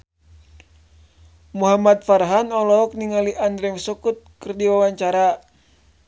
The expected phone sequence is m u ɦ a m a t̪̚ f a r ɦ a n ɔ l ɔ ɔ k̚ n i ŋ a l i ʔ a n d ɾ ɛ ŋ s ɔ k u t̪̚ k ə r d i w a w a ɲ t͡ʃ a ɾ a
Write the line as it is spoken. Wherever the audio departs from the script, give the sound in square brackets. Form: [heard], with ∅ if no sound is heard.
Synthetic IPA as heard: m u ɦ a m a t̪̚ f a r ɦ a n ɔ l ɔ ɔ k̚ n i ŋ a l i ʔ a n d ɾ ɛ ŋ s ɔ k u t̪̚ k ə r d i w a w a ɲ t͡ʃ a ɾ a